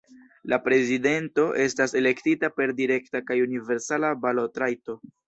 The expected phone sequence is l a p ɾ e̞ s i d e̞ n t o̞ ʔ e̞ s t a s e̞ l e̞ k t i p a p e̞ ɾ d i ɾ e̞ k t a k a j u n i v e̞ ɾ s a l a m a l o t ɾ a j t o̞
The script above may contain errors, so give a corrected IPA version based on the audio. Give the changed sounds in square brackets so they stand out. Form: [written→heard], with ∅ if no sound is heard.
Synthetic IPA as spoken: l a p ɾ e̞ [s→z] i d e̞ n t o̞ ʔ e̞ s t a s e̞ l e̞ k t i [p→t] a p e̞ ɾ d i ɾ e̞ k t a k a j u n i v e̞ ɾ s a l a [m→b] a l o t ɾ a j t o̞